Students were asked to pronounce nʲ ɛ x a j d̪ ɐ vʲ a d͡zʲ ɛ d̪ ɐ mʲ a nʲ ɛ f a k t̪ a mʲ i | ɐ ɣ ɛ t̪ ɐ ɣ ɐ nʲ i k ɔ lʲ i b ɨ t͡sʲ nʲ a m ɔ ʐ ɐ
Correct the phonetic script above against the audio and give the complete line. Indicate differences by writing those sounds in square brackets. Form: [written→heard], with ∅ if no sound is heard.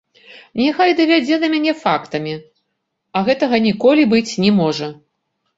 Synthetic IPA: nʲ ɛ x a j d̪ ɐ vʲ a d͡zʲ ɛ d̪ ɐ mʲ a nʲ ɛ f a k t̪ [a→ɐ] mʲ i | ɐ ɣ ɛ t̪ ɐ ɣ ɐ nʲ i k ɔ lʲ i b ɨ t͡sʲ nʲ [a→ɛ] m ɔ ʐ ɐ